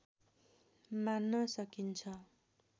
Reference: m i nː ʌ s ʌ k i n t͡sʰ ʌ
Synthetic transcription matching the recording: m a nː ʌ s ʌ k i n t͡sʰ ʌ